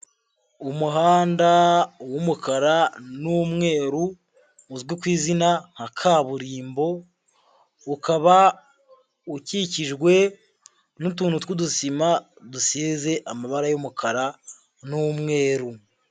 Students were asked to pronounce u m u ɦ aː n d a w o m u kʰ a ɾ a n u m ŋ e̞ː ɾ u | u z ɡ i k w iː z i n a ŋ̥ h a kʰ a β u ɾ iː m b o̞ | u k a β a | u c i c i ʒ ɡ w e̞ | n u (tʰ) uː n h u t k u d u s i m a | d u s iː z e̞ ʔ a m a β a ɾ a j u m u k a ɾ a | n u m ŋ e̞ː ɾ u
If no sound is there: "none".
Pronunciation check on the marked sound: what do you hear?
t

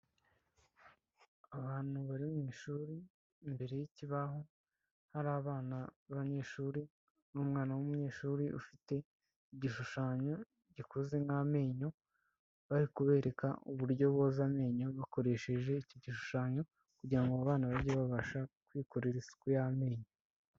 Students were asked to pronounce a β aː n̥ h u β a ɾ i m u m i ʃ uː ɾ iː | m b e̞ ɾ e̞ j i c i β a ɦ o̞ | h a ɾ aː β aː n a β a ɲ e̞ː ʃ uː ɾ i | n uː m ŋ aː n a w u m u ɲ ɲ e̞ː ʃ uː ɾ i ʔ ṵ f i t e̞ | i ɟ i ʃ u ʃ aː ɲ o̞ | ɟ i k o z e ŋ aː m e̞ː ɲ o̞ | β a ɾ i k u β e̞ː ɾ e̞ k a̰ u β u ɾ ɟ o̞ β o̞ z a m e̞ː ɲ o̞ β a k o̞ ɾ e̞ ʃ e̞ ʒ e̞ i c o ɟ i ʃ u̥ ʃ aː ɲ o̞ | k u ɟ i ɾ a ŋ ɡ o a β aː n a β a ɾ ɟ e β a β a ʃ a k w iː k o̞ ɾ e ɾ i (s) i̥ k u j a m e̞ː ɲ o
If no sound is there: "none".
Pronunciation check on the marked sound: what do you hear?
s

